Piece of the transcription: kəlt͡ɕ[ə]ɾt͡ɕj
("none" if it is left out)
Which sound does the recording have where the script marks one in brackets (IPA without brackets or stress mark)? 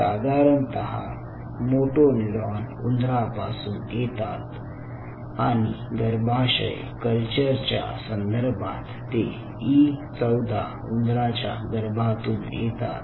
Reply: ə